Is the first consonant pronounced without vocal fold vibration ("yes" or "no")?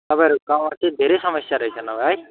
yes